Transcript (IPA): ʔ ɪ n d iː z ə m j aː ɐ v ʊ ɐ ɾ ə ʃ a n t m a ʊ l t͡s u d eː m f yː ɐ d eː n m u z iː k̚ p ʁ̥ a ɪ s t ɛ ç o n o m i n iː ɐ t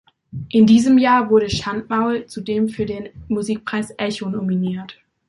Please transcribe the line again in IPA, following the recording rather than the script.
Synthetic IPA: ʔ ɪ n d iː z ə m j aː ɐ v ʊ ɐ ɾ ə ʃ a n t m a ʊ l t͡s u d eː m f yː ɐ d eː n m u z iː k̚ p ʁ̥ a ɪ s ʔ ɛ ç o n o m i n iː ɐ t

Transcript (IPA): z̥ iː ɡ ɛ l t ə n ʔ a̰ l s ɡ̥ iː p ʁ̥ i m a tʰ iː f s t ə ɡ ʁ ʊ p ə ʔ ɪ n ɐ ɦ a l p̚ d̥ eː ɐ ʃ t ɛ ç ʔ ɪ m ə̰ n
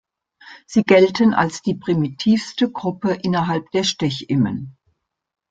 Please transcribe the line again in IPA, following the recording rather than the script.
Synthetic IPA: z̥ iː ɡ ɛ l t ə n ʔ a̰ l s d̥ iː p ʁ̥ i m i tʰ iː f s t ə ɡ ʁ ʊ p ə ʔ ɪ n ɐ ɦ a l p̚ d̥ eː ɐ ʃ t ɛ ç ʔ ɪ m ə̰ n

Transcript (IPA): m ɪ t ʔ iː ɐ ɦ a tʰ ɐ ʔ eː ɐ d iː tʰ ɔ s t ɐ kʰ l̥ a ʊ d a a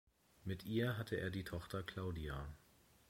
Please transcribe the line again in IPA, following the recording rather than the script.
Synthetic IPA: m ɪ t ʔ iː ɐ ɦ a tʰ ə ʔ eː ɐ d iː tʰ ɔ χ t ɐ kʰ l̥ a ʊ d i a

